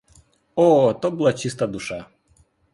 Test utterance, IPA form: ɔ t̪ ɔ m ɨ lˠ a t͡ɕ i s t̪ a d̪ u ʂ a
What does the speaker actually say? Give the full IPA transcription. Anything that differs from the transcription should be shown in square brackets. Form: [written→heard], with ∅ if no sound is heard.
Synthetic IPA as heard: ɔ t̪ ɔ [m→b] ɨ lˠ a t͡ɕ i s t̪ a d̪ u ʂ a